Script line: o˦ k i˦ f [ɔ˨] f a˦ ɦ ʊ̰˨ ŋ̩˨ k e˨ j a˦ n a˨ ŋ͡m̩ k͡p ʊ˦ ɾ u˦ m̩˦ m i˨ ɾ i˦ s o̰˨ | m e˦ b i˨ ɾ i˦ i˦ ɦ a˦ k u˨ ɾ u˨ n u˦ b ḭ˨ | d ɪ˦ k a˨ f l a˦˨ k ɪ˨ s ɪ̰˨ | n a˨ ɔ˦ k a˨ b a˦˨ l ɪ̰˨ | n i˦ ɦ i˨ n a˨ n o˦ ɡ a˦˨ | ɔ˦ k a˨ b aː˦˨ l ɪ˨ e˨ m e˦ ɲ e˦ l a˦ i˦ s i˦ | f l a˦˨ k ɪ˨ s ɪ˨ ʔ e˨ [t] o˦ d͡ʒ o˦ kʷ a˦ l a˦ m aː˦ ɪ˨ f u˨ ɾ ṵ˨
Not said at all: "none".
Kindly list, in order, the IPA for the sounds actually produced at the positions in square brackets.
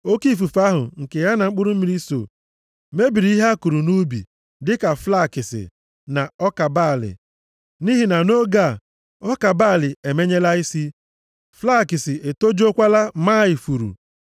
u˨, t

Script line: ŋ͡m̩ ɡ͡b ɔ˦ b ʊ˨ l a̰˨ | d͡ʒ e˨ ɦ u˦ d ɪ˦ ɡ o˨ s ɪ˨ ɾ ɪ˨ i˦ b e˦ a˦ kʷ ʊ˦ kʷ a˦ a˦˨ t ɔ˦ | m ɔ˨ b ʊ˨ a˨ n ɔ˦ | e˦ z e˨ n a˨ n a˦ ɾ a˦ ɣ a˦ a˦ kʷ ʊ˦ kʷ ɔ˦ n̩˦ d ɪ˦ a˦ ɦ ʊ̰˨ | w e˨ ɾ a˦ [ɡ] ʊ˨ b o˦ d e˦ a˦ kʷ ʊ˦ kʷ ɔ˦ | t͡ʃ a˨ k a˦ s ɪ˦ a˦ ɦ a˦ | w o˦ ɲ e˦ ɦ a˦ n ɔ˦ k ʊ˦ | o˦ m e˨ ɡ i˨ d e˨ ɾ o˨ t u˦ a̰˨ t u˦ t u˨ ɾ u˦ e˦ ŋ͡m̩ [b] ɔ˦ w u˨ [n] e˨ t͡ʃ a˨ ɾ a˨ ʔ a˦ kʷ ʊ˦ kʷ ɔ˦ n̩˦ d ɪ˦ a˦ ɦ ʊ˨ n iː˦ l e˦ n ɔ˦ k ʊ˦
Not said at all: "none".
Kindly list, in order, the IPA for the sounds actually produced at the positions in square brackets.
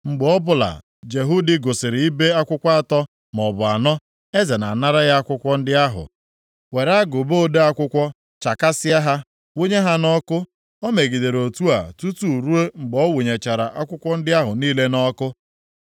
ɡ, ɡ͡b, ɲ

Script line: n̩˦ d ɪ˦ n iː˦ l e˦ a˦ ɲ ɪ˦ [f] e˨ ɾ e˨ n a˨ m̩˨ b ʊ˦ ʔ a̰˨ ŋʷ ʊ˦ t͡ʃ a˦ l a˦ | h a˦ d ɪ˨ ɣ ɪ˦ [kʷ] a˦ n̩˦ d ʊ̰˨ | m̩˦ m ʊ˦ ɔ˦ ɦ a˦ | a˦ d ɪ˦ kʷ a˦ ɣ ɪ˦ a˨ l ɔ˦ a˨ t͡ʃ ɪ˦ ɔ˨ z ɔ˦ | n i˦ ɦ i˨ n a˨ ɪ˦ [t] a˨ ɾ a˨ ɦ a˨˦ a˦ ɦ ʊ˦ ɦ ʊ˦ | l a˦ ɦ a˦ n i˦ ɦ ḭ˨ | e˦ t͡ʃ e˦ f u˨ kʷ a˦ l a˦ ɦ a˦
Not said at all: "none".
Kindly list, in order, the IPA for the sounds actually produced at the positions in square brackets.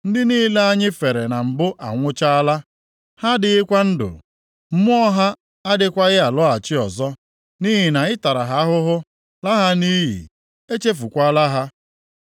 f, kʷ, t

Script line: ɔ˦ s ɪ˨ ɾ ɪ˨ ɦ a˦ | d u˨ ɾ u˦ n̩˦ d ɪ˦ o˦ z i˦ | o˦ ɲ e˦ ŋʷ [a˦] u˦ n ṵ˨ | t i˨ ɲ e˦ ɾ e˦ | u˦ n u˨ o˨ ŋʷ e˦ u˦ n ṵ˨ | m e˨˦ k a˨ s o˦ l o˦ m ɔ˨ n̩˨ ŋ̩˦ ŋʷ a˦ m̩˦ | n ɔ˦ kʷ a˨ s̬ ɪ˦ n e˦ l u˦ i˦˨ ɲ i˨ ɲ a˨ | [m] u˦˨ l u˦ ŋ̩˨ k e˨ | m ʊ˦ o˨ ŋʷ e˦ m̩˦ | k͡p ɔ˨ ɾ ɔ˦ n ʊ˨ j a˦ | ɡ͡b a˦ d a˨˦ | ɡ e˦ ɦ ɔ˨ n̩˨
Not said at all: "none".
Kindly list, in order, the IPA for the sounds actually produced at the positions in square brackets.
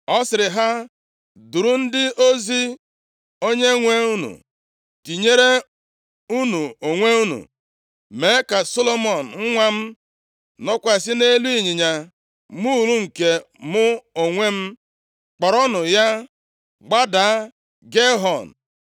e˦, m

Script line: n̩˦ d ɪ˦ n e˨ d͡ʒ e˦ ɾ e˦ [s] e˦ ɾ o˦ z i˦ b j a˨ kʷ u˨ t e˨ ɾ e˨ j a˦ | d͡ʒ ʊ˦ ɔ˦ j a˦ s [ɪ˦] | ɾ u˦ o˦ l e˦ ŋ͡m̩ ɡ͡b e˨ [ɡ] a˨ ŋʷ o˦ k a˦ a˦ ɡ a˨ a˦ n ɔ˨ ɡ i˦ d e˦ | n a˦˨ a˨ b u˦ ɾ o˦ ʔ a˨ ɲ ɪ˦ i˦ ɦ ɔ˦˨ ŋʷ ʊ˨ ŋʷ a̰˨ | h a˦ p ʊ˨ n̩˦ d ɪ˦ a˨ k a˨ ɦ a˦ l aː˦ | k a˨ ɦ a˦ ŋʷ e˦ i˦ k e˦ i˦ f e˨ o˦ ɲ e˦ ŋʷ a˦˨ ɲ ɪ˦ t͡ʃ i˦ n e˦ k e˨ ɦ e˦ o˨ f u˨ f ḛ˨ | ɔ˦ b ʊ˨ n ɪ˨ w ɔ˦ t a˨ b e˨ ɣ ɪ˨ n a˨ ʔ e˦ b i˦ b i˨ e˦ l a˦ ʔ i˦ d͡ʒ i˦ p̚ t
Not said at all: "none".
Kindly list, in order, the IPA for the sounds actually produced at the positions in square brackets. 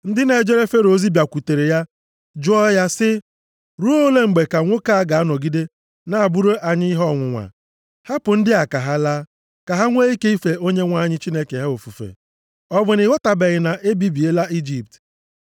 f, ɪ˦, k

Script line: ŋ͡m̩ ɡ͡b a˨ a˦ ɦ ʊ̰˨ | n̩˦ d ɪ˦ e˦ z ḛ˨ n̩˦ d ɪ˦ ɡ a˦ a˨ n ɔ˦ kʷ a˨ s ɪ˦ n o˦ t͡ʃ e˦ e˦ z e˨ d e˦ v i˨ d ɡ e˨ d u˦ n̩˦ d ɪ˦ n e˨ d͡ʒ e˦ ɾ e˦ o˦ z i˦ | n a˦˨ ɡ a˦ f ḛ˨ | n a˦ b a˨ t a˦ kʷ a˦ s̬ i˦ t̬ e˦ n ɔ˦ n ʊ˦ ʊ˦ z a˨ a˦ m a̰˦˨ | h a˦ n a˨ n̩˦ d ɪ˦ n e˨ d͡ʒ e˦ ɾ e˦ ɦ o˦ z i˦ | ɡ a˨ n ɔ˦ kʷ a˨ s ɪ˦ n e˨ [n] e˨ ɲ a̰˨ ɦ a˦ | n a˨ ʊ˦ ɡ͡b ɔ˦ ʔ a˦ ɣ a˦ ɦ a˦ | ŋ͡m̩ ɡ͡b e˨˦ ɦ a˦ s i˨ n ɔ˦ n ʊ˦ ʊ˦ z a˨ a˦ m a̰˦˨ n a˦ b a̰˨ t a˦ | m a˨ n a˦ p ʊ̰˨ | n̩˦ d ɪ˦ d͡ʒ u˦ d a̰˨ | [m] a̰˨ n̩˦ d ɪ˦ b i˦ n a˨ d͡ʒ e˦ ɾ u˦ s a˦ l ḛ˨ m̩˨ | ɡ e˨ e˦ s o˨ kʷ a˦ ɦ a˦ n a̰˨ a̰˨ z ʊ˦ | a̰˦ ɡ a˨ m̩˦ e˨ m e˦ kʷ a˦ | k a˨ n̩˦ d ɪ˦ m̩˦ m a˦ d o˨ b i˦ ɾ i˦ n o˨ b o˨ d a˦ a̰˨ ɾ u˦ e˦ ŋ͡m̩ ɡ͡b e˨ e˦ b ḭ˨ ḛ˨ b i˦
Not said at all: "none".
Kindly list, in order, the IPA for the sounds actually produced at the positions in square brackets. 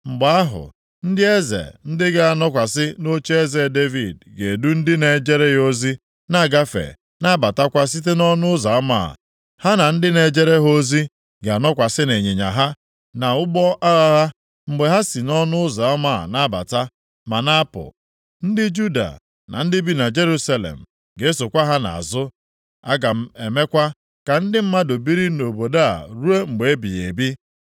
ɲ, n

